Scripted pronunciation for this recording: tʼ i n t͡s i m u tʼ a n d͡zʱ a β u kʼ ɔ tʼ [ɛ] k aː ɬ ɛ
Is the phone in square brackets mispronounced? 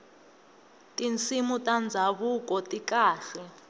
yes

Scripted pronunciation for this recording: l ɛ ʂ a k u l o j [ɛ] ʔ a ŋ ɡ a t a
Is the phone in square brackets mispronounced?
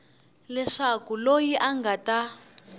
yes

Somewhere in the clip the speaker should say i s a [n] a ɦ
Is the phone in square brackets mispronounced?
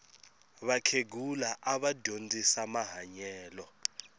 yes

